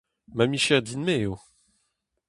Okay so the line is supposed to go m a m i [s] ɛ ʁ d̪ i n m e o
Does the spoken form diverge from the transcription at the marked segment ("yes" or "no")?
yes